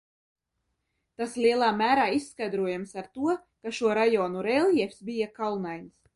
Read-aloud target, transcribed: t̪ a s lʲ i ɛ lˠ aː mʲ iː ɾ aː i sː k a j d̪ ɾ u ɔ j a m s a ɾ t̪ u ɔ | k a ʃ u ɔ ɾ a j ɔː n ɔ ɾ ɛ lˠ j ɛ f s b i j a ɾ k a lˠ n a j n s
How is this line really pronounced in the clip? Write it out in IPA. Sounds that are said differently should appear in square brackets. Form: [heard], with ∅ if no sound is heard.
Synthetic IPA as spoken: t̪ a s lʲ i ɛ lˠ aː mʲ [æː] ɾ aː i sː k a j d̪ ɾ u ɔ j a m s a ɾ t̪ u ɔ | k a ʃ u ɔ ɾ a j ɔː n [u] ɾ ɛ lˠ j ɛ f s b i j a [∅] k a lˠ n a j n s